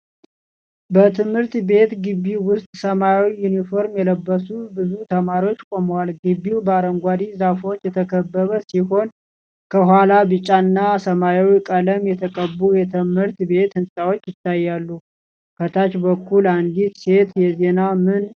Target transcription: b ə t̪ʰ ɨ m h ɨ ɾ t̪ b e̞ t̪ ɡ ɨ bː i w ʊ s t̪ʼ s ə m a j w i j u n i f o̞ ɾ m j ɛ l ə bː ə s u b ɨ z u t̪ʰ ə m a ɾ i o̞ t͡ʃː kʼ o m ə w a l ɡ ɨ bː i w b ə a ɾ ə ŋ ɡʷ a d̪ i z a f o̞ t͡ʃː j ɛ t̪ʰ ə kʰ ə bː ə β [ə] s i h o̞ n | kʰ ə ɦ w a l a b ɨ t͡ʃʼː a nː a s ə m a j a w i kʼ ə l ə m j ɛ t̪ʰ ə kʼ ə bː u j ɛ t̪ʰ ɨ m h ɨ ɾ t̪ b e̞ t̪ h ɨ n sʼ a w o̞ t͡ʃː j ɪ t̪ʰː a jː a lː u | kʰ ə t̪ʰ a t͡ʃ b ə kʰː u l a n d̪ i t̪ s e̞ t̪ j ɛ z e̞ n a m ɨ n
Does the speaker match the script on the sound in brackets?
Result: yes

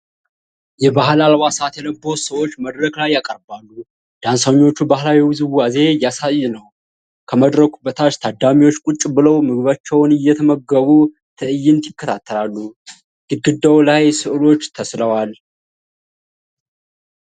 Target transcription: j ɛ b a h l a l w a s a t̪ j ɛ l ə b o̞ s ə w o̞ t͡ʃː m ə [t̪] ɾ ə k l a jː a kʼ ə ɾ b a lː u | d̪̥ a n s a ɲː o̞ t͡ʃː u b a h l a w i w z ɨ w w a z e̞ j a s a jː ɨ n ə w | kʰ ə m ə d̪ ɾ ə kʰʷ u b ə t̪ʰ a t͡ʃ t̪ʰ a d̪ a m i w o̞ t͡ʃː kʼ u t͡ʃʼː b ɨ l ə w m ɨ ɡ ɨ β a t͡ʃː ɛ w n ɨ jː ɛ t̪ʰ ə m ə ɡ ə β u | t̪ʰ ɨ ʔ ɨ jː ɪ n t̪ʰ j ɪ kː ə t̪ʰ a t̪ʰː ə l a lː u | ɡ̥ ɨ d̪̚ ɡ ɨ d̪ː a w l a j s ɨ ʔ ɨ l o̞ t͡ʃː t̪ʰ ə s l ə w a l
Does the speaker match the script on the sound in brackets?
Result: no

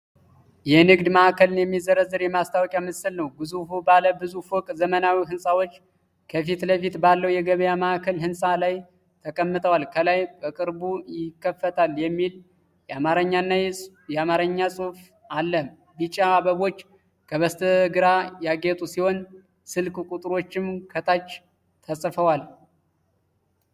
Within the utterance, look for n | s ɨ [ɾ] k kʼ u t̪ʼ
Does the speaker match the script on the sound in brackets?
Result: no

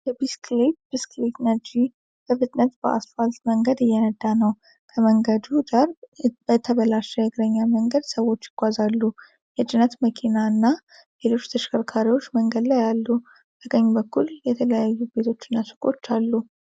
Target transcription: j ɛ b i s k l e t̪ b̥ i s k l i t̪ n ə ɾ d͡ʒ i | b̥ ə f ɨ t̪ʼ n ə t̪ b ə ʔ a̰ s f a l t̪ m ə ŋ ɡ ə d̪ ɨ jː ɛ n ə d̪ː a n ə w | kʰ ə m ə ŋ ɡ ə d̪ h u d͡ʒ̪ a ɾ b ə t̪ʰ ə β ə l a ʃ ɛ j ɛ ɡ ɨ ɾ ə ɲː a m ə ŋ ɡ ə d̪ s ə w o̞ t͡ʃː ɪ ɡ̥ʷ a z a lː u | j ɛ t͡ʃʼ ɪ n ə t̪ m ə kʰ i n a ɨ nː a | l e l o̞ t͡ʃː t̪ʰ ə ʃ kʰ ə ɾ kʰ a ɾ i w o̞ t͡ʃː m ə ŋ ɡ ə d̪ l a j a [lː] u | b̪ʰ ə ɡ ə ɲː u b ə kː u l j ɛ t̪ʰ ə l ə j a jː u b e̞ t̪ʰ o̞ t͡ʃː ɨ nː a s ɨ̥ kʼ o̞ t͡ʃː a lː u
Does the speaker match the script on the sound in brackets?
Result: yes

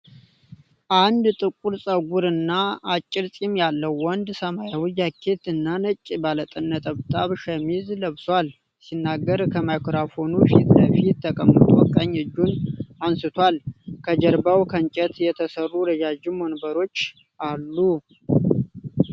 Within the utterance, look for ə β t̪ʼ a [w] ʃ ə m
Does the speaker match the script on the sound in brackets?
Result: no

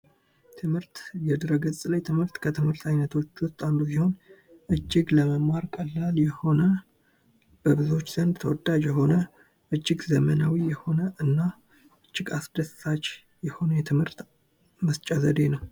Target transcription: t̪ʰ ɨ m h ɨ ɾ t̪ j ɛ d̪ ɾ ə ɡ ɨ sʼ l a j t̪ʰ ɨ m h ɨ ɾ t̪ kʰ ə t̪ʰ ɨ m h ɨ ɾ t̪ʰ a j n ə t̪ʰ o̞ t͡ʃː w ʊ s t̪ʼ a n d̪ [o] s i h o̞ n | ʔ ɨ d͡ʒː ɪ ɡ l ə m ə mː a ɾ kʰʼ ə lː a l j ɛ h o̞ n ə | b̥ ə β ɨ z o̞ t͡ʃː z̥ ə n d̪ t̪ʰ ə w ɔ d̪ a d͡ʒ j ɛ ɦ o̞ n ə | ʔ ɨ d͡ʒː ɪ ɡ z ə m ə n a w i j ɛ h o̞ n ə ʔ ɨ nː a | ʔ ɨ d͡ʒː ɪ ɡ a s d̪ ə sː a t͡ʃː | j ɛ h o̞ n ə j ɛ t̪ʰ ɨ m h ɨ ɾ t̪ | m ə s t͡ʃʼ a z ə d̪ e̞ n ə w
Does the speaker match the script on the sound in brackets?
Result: no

